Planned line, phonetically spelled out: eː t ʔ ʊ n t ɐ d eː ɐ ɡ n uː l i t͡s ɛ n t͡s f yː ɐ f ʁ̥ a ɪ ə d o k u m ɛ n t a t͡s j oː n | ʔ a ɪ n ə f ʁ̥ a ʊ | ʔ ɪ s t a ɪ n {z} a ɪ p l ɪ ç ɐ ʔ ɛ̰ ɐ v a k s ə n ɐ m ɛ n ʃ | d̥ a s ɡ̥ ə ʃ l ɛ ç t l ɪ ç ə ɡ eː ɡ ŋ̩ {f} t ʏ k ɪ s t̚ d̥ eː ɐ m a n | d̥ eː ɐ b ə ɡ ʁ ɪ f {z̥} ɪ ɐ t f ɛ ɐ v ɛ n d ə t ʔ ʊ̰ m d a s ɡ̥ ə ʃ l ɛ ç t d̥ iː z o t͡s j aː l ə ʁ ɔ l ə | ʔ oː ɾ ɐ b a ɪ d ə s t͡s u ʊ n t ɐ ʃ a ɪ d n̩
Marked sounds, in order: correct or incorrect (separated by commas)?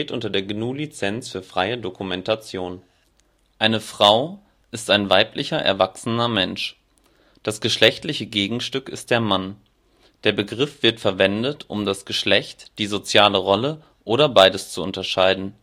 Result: incorrect, incorrect, incorrect